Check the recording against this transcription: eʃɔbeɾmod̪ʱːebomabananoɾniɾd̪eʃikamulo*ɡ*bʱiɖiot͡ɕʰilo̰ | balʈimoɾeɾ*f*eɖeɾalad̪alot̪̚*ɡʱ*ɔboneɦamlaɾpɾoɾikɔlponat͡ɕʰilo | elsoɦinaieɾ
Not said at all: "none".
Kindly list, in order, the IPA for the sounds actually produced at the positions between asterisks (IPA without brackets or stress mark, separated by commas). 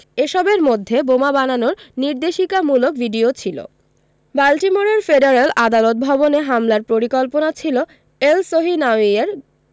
k, f, bʱ